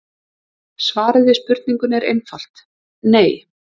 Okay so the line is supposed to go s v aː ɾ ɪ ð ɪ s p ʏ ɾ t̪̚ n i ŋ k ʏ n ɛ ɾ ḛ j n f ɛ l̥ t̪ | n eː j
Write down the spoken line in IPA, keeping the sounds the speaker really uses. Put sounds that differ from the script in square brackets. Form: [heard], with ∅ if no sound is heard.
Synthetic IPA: s v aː ɾ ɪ ð ɪ s p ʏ ɾ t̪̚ n i ŋ k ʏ n ɛ ɾ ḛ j n f [a] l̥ t̪ | n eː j